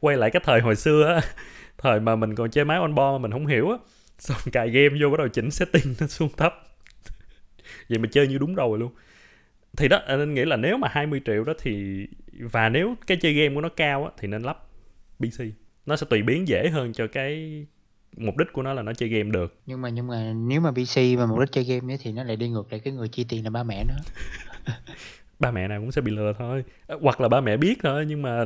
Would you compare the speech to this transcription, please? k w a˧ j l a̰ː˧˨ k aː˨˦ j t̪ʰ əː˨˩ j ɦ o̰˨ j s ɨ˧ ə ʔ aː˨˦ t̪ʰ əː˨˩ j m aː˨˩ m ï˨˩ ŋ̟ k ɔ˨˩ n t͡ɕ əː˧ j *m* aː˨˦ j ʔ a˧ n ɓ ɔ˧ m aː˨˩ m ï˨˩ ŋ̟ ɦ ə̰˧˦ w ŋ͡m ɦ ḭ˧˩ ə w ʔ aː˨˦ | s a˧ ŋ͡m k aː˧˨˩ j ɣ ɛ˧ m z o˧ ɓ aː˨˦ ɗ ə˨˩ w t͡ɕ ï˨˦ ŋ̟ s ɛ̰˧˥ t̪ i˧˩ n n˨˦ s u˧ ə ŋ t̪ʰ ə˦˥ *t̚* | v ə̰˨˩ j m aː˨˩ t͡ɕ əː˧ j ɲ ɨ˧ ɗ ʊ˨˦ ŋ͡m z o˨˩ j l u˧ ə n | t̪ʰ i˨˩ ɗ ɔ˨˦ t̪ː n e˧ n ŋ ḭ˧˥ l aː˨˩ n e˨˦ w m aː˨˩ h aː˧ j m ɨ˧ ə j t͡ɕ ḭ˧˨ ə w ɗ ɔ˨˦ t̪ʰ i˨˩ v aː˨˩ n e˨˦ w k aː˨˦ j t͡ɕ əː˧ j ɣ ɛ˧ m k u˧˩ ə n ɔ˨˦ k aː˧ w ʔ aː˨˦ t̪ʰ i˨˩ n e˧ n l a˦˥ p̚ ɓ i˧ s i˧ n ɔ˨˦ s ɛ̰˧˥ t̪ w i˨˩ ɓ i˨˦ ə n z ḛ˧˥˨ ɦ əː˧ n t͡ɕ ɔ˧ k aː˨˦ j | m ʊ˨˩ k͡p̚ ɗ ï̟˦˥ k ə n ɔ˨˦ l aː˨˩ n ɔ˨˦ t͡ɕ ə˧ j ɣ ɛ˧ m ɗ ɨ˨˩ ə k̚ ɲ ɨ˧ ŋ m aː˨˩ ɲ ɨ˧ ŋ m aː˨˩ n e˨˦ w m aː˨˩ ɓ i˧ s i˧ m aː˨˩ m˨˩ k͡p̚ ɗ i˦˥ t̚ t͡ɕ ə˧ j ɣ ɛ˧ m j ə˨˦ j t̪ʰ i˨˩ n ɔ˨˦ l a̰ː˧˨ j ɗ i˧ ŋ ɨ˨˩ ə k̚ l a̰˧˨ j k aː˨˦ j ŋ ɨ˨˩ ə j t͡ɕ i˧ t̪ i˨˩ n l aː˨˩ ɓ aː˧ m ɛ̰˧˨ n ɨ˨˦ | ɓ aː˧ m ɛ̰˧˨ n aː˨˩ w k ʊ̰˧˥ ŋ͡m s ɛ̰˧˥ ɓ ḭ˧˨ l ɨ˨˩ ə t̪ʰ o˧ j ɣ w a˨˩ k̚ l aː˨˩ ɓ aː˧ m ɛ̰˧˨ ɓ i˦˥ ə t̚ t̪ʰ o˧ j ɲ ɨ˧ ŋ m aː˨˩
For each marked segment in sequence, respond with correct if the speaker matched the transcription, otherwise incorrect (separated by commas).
correct, incorrect